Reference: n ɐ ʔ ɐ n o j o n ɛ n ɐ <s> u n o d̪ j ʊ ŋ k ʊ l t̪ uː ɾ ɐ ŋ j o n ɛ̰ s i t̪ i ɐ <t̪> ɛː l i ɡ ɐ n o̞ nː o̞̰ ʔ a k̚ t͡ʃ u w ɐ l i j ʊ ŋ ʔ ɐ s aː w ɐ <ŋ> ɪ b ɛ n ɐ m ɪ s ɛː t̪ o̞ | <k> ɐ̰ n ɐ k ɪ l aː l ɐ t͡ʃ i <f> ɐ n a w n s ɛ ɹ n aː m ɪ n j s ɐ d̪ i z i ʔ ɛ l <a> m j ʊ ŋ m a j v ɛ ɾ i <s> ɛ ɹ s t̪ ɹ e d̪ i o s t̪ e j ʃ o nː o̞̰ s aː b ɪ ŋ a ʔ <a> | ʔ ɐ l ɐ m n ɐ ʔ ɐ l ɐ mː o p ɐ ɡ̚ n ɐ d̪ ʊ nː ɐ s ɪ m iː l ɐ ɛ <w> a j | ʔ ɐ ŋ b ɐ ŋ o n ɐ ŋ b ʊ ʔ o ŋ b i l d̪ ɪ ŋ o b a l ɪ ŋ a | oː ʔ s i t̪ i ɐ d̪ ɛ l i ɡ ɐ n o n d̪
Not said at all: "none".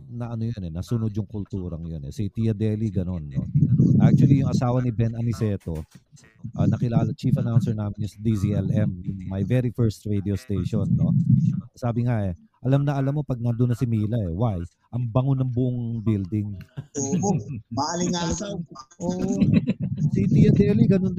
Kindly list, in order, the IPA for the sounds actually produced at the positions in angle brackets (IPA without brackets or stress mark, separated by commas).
s, d̪, n, ʔ, f, ɛ, f, ɛ, w